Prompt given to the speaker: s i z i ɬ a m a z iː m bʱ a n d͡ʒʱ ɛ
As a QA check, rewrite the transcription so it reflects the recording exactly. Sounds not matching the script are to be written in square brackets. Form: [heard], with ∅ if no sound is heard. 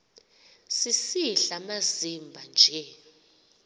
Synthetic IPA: s i [s] i ɬ a m a z [i] m bʱ a n d͡ʒʱ ɛ

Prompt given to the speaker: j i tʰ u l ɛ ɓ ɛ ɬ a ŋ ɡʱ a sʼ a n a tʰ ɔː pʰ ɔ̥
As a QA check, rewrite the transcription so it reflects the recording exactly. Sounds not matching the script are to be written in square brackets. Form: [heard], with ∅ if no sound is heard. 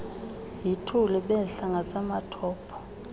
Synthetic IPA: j i tʰ u l ɛ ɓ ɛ ɬ a ŋ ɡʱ a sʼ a [m] a tʰ ɔː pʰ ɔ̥

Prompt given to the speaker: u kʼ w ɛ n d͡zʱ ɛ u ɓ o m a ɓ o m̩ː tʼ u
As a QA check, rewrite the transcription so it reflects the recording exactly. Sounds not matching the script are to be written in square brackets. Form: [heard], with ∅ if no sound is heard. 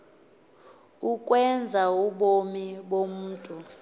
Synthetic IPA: u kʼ w ɛ n d͡zʱ [a] u ɓ o m [i] ɓ o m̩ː tʼ u

